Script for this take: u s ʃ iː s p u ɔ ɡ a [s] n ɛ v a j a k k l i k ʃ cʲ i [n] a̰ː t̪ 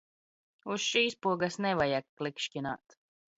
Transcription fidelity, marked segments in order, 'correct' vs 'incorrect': correct, correct

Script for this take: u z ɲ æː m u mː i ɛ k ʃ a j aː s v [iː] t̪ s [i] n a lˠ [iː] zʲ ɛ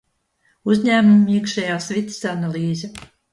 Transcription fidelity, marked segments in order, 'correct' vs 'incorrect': incorrect, incorrect, correct

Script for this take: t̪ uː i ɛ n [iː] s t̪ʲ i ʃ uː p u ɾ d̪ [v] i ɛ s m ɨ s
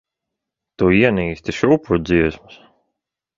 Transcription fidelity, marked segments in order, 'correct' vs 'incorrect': correct, incorrect

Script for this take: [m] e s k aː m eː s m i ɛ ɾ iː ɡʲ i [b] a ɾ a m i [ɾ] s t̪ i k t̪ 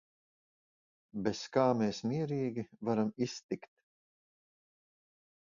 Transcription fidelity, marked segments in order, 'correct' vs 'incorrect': incorrect, incorrect, incorrect

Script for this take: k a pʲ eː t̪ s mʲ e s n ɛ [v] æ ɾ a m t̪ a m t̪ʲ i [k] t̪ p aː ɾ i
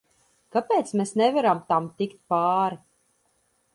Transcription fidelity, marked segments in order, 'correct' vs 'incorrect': correct, correct

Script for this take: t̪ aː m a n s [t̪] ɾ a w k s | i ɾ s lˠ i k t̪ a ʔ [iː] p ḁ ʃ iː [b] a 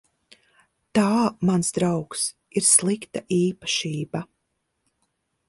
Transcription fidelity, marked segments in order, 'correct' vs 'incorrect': incorrect, correct, correct

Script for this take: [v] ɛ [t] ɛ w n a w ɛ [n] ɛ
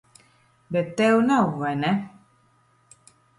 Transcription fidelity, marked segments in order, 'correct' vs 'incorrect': incorrect, correct, correct

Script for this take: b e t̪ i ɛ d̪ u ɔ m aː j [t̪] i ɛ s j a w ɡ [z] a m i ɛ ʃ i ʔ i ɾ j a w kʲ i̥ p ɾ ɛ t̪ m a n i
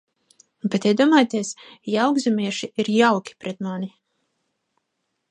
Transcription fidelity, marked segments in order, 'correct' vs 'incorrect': correct, correct

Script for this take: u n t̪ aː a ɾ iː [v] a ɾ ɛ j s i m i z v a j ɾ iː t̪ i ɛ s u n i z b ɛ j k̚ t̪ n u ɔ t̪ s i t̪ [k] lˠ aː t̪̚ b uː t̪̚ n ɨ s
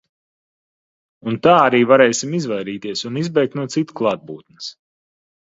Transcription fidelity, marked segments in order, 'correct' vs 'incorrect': correct, correct

